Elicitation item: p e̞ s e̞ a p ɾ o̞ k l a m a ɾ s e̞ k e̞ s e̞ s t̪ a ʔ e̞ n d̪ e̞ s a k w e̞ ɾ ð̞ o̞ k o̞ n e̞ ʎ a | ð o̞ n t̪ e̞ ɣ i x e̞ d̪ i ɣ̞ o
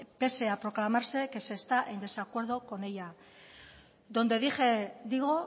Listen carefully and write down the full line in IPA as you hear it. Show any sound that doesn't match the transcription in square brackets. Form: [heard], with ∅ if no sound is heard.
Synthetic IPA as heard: p e̞ s e̞ a p ɾ o̞ k l a m a ɾ s e̞ k e̞ s e̞ s t̪ a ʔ e̞ n d̪ e̞ s a k w e̞ ɾ ð̞ o̞ k o̞ n e̞ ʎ a | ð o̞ n [d̪] e̞ [ð] i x e̞ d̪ i ɣ̞ o